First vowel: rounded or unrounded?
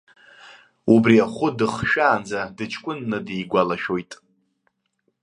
rounded